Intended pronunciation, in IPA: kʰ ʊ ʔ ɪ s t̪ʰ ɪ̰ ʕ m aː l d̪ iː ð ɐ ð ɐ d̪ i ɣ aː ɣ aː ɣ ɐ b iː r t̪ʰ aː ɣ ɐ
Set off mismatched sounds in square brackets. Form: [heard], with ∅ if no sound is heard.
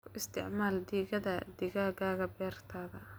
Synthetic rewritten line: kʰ ʊ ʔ ɪ s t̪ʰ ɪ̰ ʕ m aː l d̪ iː [ɣ] ɐ ð ɐ d̪ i ɣ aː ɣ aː ɣ ɐ b [ɛː] r t̪ʰ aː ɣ ɐ